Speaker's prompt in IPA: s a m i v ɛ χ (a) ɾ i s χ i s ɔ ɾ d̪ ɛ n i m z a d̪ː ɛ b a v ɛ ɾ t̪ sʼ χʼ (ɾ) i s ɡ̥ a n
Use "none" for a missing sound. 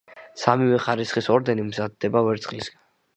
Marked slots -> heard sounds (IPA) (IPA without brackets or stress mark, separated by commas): a, l